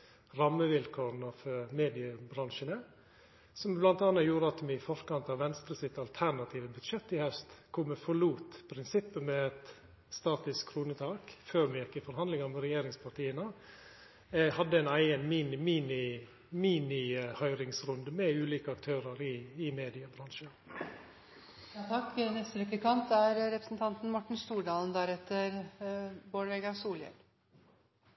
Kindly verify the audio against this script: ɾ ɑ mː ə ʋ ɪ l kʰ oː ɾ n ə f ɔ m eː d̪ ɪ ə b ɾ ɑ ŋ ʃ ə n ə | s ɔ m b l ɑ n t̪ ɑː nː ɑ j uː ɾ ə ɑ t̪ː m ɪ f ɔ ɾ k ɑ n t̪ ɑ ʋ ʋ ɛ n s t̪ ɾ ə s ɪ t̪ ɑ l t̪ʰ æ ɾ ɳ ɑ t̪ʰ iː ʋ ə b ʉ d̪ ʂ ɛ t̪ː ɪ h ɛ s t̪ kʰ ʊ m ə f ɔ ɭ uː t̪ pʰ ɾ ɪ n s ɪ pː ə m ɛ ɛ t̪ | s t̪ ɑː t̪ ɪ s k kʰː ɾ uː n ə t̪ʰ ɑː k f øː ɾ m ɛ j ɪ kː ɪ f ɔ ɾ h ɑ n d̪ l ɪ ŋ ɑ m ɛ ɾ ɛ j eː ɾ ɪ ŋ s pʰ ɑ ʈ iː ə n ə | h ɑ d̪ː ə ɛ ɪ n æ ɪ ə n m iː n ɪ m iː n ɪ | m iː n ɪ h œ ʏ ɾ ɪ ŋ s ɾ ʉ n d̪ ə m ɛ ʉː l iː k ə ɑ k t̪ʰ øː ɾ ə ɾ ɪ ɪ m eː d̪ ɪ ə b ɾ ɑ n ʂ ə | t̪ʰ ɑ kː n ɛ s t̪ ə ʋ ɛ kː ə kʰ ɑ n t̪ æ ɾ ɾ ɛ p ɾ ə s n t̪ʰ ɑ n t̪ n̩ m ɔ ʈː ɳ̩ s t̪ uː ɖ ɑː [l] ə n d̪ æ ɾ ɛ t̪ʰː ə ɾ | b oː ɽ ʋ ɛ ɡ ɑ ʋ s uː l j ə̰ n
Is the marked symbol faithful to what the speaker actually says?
yes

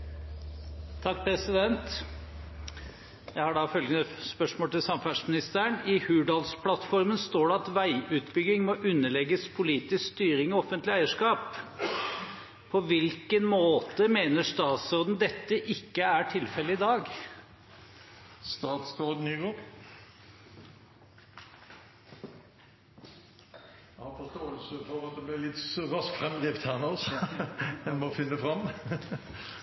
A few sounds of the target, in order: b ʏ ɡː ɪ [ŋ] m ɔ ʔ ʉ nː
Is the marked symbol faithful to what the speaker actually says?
yes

